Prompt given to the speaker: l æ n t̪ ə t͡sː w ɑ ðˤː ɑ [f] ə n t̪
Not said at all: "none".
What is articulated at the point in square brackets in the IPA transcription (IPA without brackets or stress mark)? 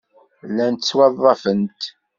f